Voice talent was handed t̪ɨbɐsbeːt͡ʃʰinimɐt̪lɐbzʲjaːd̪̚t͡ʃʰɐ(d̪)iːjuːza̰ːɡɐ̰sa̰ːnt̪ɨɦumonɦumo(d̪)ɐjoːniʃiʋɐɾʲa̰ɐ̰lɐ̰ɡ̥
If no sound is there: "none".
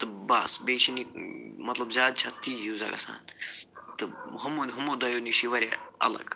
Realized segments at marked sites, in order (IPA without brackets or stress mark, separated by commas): t̪, d̪